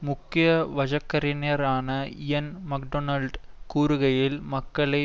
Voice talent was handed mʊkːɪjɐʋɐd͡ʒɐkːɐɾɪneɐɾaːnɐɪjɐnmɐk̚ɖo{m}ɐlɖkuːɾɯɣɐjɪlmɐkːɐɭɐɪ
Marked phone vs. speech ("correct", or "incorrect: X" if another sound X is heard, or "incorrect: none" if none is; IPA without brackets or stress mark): incorrect: n